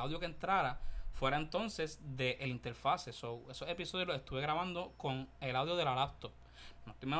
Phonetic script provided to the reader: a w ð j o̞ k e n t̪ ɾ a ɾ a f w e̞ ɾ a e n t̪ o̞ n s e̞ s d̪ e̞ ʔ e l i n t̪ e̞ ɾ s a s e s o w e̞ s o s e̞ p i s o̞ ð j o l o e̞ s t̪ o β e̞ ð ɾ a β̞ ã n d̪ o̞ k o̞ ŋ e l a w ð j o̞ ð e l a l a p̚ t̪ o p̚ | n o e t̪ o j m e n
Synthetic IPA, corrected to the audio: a w ð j o̞ k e n t̪ ɾ a ɾ a f w e̞ ɾ a e n t̪ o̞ n s e̞ s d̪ e̞ ʔ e l i n t̪ e̞ ɾ f a s e s o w e̞ s o s e̞ p i s o̞ ð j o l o e̞ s t̪ u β e̞ ɣ ɾ a β̞ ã n d̪ o̞ k o̞ ŋ e l a w ð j o̞ ð e l a l a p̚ t̪ o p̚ | n o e t̪ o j m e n